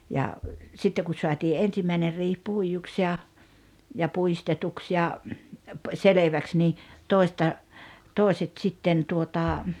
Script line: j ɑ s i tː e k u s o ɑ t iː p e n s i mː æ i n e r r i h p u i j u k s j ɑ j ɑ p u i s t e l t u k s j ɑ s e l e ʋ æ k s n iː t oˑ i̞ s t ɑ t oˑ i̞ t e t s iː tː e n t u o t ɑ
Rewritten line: j ɑ s i tː e k u s o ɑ t iː ʔ e n s i mː æ i n e r r iː h p u i j u k s j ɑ j ɑ p u i s t e t u k s j ɑ s e l e ʋ æ k s n iː t oˑ i̞ s t ɑ t oˑ i̞ s e t s i tː e n t u o t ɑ